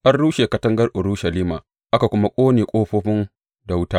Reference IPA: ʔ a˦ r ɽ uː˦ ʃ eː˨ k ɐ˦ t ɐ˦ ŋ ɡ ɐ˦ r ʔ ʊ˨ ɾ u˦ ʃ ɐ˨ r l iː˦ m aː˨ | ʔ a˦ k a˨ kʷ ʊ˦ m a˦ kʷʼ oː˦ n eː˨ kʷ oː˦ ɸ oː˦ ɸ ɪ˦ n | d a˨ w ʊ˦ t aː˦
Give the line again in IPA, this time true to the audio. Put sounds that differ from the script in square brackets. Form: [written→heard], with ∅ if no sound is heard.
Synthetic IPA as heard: ʔ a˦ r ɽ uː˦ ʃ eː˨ k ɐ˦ t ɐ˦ ŋ ɡ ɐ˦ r ʔ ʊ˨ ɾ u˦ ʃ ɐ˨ [r→∅] l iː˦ m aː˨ | ʔ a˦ k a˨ kʷ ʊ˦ m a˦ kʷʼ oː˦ n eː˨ [kʷ→kʷʼ] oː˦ ɸ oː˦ ɸ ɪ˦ n | d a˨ w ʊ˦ t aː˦